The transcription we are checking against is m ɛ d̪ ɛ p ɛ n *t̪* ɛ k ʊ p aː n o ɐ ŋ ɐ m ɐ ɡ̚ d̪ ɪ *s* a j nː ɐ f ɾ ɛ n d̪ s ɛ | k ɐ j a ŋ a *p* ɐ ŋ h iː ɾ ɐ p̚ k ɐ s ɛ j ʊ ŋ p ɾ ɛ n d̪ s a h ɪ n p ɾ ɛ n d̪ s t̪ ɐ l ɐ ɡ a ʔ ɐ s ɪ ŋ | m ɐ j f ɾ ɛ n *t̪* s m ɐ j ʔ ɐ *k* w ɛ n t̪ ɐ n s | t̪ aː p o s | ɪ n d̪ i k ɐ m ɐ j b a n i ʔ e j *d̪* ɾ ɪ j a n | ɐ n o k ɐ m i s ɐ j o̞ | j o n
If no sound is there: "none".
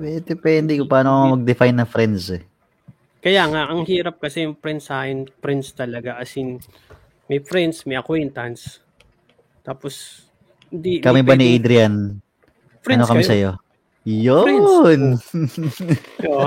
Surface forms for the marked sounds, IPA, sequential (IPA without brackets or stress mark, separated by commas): d̪, f, ʔ, d̪, k, d̪